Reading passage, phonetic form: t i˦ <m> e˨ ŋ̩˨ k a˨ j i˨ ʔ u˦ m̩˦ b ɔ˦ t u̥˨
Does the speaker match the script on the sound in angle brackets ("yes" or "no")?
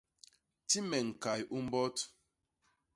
yes